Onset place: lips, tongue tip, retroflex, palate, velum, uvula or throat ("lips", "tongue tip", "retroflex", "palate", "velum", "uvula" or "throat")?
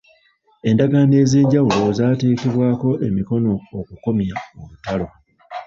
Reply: tongue tip